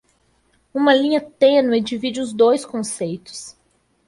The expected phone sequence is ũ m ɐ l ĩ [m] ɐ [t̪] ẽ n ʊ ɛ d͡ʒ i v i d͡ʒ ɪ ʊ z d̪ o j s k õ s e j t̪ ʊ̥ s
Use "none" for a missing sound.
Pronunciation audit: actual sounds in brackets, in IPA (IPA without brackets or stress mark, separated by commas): ɲ, t̪